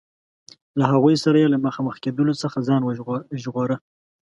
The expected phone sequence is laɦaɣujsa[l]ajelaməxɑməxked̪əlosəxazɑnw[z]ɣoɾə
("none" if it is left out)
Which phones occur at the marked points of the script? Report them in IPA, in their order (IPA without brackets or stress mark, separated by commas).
ɾ, ʒ